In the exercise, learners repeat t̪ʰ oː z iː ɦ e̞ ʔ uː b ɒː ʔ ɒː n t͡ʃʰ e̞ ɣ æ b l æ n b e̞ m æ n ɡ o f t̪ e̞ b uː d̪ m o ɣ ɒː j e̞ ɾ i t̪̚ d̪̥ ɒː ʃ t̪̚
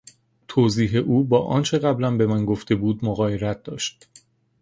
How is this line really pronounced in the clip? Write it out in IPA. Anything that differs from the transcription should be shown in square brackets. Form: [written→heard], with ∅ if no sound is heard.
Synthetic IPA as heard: t̪ʰ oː z iː ɦ e̞ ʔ uː b ɒː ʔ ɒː n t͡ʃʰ e̞ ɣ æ b l æ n b e̞ m æ n ɡ o f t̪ e̞ b uː d̪ m o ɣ ɒː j e̞ ɾ [i→æ] t̪̚ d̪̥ ɒː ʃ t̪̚